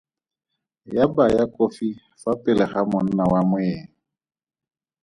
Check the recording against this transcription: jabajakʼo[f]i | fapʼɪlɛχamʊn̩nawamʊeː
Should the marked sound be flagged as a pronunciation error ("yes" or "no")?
no